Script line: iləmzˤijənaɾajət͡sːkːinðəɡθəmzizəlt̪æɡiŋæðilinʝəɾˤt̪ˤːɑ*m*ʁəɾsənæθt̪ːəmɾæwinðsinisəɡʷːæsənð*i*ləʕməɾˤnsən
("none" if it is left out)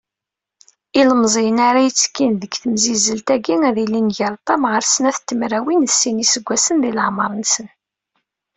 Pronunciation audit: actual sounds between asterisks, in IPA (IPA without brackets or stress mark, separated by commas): m, i